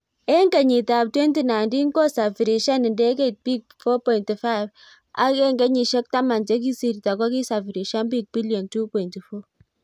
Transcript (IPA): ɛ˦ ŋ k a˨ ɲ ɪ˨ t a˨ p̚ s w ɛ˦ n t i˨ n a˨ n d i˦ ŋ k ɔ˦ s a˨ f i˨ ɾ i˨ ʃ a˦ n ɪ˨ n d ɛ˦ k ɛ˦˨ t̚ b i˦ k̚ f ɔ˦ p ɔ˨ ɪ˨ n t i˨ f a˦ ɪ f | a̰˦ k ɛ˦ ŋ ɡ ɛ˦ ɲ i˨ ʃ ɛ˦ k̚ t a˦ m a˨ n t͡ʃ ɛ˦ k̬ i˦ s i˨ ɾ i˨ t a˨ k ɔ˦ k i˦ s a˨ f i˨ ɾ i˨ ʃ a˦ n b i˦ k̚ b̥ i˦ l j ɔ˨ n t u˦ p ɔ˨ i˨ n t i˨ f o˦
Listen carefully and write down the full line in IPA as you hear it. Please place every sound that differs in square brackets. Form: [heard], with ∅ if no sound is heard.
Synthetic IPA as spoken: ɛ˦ ŋ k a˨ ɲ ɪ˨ t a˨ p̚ [t] w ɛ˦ n t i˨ n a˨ n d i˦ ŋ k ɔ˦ s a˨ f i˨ ɾ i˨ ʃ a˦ n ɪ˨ n d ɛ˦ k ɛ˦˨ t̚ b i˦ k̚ f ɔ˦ p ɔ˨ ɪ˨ n t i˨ f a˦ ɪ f | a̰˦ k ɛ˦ ŋ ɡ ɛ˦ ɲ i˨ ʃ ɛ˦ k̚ t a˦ m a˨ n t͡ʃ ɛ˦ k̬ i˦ s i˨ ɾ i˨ t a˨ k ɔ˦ k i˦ s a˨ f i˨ ɾ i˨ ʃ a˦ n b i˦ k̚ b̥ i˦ l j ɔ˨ n t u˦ p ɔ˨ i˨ n t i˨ f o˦